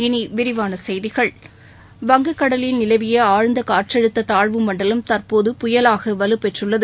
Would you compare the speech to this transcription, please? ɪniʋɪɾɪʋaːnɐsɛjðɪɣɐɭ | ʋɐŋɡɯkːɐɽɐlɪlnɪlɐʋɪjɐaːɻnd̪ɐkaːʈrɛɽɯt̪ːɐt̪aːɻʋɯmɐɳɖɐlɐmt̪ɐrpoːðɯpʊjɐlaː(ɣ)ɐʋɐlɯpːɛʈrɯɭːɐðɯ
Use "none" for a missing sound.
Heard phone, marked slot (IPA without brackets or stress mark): ɣ